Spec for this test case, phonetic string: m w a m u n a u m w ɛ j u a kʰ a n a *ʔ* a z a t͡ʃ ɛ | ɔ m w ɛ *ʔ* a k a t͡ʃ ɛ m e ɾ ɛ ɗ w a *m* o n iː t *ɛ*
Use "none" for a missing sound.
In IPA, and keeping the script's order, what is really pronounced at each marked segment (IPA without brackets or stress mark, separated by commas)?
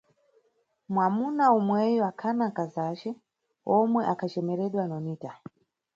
k, ʔ, n, a